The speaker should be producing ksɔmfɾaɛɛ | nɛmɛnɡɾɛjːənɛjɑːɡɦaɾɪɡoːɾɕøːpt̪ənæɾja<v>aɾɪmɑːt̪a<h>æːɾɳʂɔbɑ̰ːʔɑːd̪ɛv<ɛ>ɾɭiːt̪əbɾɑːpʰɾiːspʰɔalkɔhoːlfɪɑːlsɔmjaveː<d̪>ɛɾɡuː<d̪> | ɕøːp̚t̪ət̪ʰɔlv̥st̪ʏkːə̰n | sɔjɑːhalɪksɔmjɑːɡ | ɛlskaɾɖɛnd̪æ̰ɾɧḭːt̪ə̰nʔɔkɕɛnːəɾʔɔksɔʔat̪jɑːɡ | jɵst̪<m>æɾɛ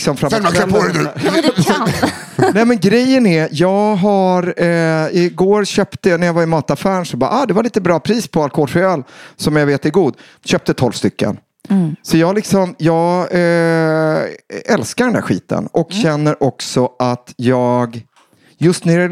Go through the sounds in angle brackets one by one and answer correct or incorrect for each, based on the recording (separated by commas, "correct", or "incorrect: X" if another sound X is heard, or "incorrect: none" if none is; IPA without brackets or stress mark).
correct, incorrect: f, incorrect: a, incorrect: t̪, correct, incorrect: n